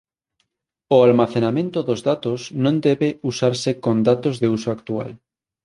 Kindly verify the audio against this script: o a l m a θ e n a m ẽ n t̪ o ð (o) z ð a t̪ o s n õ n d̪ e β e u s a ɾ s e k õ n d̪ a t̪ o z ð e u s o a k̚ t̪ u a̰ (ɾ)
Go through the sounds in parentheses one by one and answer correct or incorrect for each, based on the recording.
correct, incorrect: l

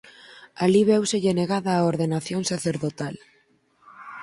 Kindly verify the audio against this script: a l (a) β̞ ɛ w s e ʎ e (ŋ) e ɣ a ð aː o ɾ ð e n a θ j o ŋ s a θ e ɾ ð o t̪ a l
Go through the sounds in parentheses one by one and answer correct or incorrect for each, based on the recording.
incorrect: i, incorrect: n

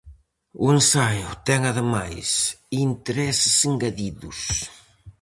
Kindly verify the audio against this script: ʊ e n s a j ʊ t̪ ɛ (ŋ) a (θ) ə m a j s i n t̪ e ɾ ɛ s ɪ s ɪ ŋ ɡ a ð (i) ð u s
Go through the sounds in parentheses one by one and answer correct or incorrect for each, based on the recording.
correct, incorrect: ð, correct

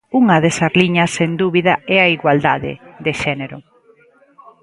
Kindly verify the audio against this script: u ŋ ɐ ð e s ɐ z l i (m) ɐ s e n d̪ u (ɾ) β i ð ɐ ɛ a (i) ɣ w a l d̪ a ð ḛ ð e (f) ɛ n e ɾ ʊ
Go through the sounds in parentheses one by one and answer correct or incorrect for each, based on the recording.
incorrect: ɲ, incorrect: none, correct, incorrect: ʃ

